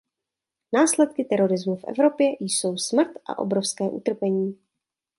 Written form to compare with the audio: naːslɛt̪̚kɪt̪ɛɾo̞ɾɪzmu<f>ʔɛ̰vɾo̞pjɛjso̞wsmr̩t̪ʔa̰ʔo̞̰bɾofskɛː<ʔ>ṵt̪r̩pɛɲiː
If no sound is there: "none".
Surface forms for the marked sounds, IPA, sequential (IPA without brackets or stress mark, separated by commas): f, ʔ